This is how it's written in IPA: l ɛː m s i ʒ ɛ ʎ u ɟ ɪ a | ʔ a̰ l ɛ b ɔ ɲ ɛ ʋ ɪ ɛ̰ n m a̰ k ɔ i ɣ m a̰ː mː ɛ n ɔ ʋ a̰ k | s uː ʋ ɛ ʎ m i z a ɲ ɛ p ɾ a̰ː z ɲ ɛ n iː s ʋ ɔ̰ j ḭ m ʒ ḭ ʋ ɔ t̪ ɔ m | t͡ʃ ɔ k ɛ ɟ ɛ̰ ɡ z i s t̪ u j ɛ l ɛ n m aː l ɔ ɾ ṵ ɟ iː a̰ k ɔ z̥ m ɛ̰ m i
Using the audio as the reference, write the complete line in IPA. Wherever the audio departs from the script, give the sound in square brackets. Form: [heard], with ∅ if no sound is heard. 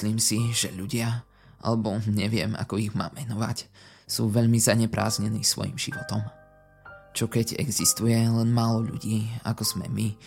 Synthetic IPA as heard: l [iː] m s i ʒ ɛ ʎ u ɟ ɪ a | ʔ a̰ l ɛ b ɔ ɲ ɛ ʋ ɪ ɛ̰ [∅] m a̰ k ɔ i ɣ m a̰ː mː ɛ n ɔ ʋ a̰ [c] | s uː ʋ ɛ ʎ m i z a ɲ ɛ p ɾ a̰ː z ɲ ɛ n iː s ʋ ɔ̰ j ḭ m ʒ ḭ ʋ ɔ t̪ ɔ m | t͡ʃ ɔ k ɛ ɟ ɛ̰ ɡ z i s t̪ u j ɛ l ɛ n m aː l ɔ [ʎ] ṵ ɟ iː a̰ k ɔ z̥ m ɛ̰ m i